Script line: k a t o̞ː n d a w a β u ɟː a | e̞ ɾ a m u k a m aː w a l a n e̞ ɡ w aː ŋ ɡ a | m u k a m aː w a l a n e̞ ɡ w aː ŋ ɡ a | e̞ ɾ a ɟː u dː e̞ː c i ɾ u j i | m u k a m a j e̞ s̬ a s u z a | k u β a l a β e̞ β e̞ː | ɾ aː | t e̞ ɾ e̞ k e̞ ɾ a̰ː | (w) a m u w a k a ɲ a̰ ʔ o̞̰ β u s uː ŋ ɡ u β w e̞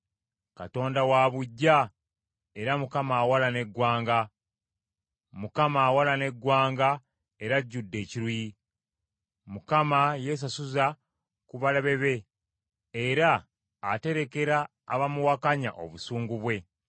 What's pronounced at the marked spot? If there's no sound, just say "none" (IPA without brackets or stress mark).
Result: β